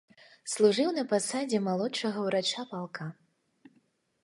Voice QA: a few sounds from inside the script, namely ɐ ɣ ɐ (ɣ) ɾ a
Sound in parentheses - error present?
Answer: yes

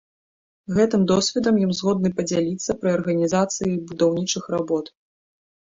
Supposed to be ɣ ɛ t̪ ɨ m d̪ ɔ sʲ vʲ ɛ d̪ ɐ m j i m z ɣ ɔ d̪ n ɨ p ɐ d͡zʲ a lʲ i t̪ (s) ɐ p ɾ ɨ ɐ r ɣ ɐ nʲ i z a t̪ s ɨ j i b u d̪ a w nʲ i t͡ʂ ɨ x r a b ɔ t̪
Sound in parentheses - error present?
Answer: yes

